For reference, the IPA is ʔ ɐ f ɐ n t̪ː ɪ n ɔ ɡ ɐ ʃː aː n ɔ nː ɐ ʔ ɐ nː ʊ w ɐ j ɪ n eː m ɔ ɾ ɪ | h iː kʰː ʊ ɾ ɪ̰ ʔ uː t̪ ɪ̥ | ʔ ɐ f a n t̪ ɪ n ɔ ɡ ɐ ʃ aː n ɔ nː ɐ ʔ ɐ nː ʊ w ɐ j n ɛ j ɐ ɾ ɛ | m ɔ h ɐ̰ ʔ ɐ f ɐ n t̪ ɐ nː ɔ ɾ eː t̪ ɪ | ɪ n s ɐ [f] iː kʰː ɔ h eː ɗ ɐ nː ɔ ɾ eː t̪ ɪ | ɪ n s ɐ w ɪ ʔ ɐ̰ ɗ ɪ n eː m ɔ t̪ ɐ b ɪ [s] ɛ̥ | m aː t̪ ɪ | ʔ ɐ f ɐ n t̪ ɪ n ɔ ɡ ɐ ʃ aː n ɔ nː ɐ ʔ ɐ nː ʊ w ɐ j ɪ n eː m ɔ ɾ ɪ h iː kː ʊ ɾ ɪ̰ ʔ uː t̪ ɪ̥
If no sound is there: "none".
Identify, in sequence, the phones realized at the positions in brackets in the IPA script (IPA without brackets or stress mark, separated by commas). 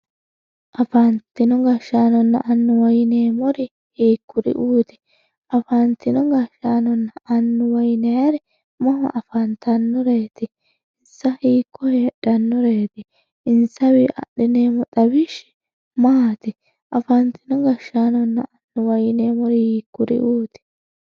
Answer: h, ʃ